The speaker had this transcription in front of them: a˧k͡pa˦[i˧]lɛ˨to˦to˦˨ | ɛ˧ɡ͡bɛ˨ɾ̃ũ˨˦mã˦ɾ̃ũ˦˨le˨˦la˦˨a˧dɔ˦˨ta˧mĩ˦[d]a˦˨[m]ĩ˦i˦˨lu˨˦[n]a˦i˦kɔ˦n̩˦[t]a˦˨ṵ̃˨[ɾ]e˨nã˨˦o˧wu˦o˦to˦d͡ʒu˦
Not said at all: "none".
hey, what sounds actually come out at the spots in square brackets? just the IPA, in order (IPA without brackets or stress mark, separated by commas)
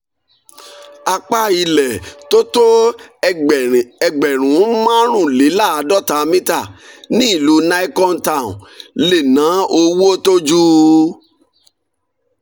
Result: i˧, t, n, n, t, l